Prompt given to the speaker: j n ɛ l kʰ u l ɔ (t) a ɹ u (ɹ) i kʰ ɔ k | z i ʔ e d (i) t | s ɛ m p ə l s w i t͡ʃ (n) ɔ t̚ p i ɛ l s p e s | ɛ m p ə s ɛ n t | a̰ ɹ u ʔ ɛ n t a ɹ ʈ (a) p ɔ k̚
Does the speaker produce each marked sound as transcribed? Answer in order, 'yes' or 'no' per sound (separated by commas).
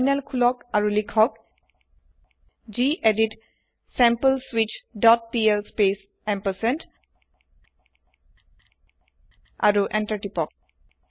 no, no, yes, no, no